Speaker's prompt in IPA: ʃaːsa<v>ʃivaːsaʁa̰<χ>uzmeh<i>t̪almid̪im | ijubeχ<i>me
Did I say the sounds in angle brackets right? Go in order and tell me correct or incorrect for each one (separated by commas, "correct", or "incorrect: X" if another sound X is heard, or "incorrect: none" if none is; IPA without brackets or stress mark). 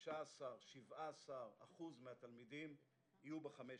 incorrect: ʁ, correct, incorrect: a, incorrect: a